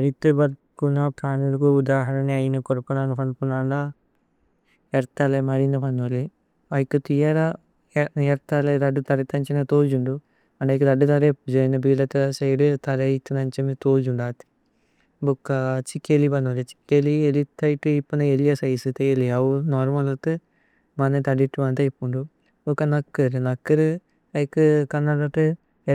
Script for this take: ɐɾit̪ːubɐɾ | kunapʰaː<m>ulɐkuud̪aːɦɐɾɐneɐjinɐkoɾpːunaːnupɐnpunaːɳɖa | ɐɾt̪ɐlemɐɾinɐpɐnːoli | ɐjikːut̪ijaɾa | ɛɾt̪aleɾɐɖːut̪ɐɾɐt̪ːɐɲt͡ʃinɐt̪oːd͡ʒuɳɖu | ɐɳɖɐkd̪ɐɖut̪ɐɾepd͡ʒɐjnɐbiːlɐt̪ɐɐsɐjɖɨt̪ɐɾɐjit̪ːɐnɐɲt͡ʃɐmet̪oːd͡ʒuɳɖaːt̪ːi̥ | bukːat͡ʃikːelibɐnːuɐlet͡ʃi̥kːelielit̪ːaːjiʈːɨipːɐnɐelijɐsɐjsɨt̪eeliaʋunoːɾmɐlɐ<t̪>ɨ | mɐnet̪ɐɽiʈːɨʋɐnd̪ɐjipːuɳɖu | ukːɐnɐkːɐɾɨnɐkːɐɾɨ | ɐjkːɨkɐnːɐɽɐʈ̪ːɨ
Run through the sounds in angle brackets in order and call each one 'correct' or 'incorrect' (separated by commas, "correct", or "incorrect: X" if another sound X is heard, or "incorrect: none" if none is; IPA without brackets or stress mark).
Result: incorrect: n, correct